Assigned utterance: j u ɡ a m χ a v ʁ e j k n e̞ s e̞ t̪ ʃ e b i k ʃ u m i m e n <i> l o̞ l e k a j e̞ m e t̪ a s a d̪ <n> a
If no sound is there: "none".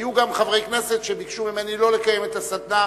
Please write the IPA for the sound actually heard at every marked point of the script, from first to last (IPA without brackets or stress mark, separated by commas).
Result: i, n